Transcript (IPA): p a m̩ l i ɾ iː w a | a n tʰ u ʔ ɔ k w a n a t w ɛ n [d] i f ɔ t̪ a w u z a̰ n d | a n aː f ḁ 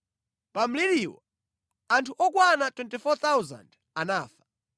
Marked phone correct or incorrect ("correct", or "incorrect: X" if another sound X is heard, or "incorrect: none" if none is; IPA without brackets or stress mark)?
incorrect: t